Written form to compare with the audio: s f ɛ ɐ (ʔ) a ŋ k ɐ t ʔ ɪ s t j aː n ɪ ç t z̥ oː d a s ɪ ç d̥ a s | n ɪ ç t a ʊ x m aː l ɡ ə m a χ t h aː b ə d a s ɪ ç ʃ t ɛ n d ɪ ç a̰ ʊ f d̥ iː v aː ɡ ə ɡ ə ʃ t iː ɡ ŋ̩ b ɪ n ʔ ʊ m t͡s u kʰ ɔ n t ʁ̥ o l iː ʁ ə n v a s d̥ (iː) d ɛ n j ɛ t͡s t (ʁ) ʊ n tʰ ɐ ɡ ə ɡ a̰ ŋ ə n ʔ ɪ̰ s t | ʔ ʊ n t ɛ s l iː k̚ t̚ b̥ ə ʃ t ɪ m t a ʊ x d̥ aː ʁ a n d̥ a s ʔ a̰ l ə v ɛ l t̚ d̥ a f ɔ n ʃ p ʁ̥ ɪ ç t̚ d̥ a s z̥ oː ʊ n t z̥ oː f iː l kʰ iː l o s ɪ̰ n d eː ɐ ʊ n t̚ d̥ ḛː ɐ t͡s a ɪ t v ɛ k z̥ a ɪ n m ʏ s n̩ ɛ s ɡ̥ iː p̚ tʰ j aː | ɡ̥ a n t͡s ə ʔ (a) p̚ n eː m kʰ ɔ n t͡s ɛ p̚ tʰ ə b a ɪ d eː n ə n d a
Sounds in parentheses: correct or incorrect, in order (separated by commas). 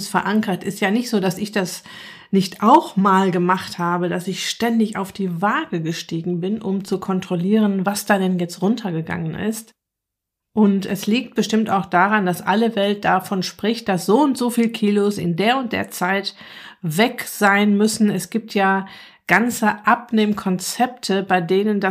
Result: correct, incorrect, correct, correct